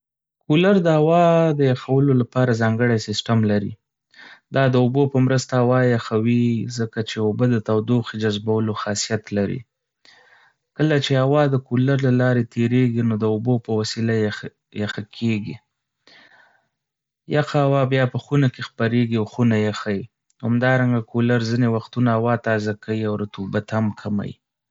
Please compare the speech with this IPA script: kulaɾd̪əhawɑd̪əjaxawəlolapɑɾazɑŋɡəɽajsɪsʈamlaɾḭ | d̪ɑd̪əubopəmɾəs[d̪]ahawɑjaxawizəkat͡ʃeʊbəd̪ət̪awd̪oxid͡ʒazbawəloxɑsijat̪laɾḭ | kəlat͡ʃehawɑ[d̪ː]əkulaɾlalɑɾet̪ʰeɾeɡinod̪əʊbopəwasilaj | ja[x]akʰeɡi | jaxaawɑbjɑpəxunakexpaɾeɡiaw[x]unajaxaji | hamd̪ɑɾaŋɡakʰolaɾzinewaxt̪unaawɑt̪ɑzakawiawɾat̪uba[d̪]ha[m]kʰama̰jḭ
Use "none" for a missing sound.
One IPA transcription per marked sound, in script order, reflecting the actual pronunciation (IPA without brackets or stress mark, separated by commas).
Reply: t̪, d̪, x, x, t̪, m